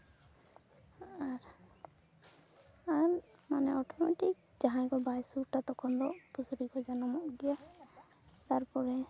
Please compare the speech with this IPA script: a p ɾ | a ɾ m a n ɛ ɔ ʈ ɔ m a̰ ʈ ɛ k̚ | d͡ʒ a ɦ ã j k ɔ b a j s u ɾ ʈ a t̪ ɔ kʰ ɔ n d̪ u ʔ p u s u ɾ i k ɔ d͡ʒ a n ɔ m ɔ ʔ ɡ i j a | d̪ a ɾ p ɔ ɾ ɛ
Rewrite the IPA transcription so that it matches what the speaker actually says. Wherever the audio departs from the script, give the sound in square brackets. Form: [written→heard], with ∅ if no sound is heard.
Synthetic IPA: a [p→∅] ɾ | a ɾ m a n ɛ ɔ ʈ ɔ m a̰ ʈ [ɛ→i] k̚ | d͡ʒ a ɦ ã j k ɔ b a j s u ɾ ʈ a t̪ ɔ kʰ ɔ n d̪ [u→ɔ] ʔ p u s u ɾ i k ɔ d͡ʒ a n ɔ m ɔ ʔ ɡ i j a | [d̪→t̪] a ɾ p ɔ ɾ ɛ

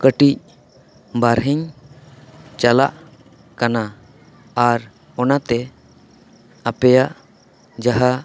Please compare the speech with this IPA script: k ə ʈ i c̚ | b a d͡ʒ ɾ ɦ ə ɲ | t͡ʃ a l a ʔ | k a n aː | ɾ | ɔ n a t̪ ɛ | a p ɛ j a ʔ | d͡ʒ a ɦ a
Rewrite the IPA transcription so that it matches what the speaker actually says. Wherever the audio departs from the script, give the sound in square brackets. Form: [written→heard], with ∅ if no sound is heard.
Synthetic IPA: k ə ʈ i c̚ | b a [d͡ʒ→∅] ɾ ɦ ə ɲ | t͡ʃ a l a ʔ | k a n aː | ɾ | ɔ n a t̪ ɛ | a p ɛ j a ʔ | d͡ʒ a ɦ a

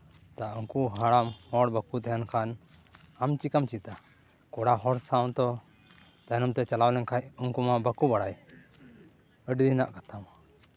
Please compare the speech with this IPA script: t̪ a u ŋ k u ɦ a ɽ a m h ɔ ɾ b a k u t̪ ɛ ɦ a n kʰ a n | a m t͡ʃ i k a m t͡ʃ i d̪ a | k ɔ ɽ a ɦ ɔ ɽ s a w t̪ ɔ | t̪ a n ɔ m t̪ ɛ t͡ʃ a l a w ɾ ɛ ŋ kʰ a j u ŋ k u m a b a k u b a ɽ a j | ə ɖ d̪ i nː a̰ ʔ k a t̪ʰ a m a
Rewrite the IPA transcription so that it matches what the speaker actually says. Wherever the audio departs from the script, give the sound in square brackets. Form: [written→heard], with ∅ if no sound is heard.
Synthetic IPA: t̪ a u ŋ k u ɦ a ɽ a m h ɔ [ɾ→ɽ] b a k u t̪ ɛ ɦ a n kʰ a n | a m t͡ʃ i k a m t͡ʃ i [d̪→t̪] a | k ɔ ɽ a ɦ ɔ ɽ s a w t̪ ɔ | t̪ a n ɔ m t̪ ɛ t͡ʃ a l a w [ɾ→l] ɛ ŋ kʰ a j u ŋ k u m a b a k u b a ɽ a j | ə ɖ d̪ i [nː→n] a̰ ʔ k a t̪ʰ a m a

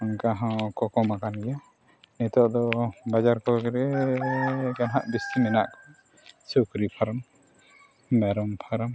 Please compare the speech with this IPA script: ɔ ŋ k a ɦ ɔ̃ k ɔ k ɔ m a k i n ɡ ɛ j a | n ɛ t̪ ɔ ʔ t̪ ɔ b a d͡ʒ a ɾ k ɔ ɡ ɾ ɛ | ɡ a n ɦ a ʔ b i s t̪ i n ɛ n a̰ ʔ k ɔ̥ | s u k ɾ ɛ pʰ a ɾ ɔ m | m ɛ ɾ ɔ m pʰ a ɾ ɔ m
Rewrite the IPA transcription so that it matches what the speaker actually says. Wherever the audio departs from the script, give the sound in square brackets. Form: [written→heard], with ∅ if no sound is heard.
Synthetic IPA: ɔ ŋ k a ɦ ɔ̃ k ɔ k ɔ m a k [i→a] n ɡ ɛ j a | n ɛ t̪ ɔ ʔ [t̪→d̪] ɔ b a d͡ʒ a ɾ k ɔ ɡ ɾ ɛ | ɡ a n ɦ a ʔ b i s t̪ i [n→m] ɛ n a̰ ʔ k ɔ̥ | s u k ɾ [ɛ→i] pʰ a ɾ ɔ m | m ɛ ɾ ɔ m pʰ a ɾ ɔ m

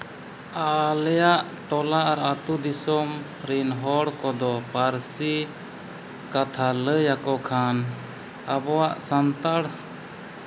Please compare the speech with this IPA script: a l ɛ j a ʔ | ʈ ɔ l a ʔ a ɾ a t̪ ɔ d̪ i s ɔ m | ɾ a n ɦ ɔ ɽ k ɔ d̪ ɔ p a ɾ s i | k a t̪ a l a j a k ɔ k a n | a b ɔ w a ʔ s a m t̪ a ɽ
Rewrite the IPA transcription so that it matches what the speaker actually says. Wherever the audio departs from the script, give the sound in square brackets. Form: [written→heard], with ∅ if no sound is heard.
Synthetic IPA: a l ɛ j a ʔ | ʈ ɔ l a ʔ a ɾ a t̪ [ɔ→u] d̪ i s ɔ m | ɾ [a→i] n ɦ ɔ ɽ k ɔ d̪ ɔ p a ɾ s i | k a [t̪→t̪ʰ] a l [a→ə] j a k ɔ [k→kʰ] a n | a b ɔ w a ʔ s a [m→n] t̪ a ɽ

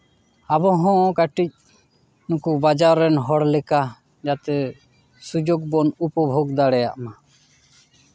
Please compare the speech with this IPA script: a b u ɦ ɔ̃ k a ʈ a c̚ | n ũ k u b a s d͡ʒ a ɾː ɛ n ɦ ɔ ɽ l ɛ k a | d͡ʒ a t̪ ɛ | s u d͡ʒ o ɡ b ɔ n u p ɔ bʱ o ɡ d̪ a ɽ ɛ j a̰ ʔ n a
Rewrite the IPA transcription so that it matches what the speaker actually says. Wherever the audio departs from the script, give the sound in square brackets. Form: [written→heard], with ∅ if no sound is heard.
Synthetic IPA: a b [u→ɔ] ɦ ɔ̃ k a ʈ [a→i] c̚ | n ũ k u b a [s→∅] d͡ʒ a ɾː ɛ n ɦ ɔ ɽ l ɛ k a | d͡ʒ a t̪ ɛ | s u d͡ʒ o ɡ b ɔ n u p ɔ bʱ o ɡ d̪ a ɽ ɛ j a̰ ʔ [n→m] a

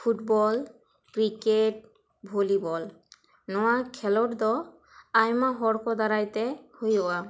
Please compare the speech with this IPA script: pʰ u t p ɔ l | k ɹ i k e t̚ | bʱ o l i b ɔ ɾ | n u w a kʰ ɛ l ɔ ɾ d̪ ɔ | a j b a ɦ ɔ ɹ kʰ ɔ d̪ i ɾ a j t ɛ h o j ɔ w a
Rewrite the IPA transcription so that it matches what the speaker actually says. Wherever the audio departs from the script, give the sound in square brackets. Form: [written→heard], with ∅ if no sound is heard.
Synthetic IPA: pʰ u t [p→b] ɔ l | k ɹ i k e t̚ | bʱ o l i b ɔ [ɾ→l] | n [u→ɔ] w a kʰ ɛ l ɔ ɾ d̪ ɔ | a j [b→m] a ɦ ɔ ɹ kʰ ɔ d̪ [i→a] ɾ a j t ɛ h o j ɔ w a

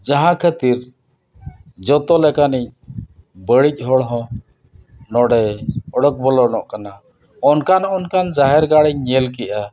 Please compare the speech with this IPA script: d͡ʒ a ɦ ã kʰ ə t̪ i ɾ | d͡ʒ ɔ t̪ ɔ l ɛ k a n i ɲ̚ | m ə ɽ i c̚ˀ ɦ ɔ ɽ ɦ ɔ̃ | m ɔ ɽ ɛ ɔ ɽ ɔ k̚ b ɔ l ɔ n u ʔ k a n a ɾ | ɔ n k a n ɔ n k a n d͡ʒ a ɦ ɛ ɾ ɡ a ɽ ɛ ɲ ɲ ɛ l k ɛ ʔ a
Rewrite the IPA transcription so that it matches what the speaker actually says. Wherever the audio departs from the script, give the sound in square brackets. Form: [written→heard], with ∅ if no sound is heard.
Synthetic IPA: d͡ʒ a ɦ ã kʰ ə t̪ i ɾ | d͡ʒ ɔ t̪ ɔ l ɛ k a n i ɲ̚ | [m→b] ə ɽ i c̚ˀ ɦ ɔ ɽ ɦ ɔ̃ | [m→n] ɔ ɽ ɛ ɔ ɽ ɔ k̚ b ɔ l ɔ n [u→ɔ] ʔ k a n a [ɾ→∅] | ɔ n k a n ɔ n k a n d͡ʒ a ɦ ɛ ɾ ɡ a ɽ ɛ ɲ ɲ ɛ l k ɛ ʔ a

